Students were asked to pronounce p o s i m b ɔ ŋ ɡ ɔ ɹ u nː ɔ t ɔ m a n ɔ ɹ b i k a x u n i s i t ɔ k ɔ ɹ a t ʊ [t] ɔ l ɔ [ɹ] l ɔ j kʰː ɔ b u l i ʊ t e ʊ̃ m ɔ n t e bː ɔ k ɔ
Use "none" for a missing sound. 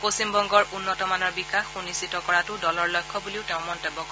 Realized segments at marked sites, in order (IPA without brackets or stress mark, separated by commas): d, ɹ